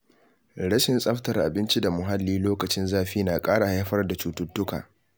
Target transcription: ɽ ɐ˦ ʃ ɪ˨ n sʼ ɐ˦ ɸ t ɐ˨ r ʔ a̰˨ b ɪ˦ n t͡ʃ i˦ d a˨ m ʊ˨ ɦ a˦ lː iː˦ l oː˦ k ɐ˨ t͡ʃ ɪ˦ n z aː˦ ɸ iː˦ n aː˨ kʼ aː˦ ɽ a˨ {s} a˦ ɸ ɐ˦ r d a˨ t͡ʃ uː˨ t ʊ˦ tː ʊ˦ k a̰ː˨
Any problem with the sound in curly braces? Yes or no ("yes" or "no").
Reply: yes